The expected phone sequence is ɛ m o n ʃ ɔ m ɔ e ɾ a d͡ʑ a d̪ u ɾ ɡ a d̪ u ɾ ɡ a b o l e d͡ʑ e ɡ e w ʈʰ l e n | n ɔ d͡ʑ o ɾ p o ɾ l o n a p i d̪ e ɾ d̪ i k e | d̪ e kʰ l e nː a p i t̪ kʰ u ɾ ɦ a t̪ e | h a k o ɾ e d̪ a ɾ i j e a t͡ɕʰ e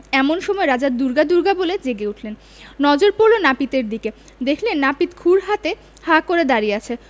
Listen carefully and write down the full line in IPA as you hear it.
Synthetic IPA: ɛ m o n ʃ ɔ m ɔ e ɾ a d͡ʑ a d̪ u ɾ ɡ a d̪ u ɾ ɡ a b o l e d͡ʑ e ɡ e u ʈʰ l e n | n ɔ d͡ʑ o ɾ p o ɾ l o n a p i t̪ e ɾ d̪ i k e | d̪ e kʰ l e nː a p i t̪ kʰ u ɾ ɦ a t̪ e | h a k o ɾ e d̪ a ɾ i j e a t͡ɕʰ e